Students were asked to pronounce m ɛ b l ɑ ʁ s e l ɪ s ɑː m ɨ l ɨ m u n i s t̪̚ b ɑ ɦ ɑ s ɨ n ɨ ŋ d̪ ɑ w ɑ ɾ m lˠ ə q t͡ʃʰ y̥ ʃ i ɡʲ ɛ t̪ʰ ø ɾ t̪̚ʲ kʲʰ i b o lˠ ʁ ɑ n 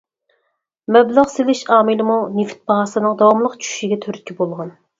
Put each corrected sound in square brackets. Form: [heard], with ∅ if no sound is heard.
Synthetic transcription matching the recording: m ɛ b l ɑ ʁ s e l ɪ [ʃ] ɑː m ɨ l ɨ m u n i [f] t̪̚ b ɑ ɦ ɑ s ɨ n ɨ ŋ d̪ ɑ w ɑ [∅] m lˠ ə q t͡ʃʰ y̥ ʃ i ɡʲ ɛ t̪ʰ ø ɾ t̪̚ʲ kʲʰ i b o lˠ ʁ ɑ n